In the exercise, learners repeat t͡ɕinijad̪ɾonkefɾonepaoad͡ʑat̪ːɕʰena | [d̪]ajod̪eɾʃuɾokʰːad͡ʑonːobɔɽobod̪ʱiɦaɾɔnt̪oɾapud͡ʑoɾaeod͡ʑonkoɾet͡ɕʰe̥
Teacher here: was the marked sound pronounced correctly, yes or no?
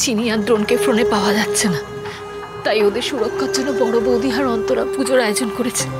no